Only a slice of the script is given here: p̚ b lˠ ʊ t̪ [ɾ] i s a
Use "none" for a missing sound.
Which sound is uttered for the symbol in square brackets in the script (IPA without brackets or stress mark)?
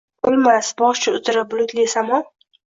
l